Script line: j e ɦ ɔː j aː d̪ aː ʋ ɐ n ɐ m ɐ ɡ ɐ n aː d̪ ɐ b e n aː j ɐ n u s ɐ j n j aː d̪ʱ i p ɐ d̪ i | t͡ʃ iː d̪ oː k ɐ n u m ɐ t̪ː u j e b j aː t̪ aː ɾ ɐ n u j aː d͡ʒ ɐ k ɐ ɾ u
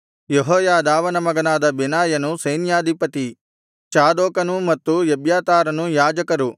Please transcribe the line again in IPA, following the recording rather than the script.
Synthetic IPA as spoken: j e ɦ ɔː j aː d̪ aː ʋ ɐ n ɐ m ɐ ɡ ɐ n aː d̪ ɐ b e n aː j ɐ n u s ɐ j n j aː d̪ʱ i p ɐ t̪ i | t͡ʃ aː d̪ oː k ɐ n u m ɐ t̪ː u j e b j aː t̪ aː ɾ ɐ n u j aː d͡ʒ ɐ k ɐ ɾ u